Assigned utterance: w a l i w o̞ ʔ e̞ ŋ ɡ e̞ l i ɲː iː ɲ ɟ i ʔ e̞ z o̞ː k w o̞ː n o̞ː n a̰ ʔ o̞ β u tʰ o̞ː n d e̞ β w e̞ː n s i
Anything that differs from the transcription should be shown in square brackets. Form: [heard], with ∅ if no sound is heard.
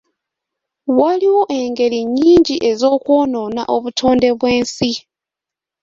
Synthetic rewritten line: w a l i w o̞ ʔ e̞ ŋ ɡ e̞ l i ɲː iː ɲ ɟ i ʔ e̞ z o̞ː k w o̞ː n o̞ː n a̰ ʔ o̞ β u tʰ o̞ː n d e̞ β w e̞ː n s i